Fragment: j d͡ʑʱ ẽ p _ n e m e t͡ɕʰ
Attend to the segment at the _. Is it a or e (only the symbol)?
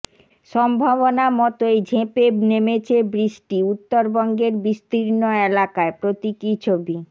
e